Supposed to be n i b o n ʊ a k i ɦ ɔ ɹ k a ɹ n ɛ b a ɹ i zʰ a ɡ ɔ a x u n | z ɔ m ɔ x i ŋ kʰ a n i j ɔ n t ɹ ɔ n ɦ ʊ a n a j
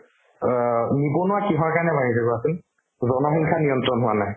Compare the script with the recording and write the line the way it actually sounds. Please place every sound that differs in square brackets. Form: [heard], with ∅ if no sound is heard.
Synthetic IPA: n i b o n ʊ a k i ɦ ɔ ɹ k a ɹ n ɛ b a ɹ i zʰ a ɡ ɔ a [s] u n | z ɔ [n] ɔ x i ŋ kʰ a n i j ɔ n t ɹ ɔ n ɦ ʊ a n a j